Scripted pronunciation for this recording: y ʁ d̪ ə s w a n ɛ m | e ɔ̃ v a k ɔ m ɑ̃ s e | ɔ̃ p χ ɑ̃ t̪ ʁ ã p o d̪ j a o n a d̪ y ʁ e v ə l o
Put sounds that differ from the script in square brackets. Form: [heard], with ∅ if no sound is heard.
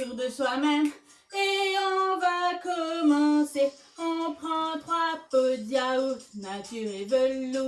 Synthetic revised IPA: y ʁ d̪ ə s w a [m] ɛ m | e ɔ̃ v a k ɔ m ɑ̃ s e | ɔ̃ p χ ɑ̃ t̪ ʁ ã p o d̪ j a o n a [t̪] y ʁ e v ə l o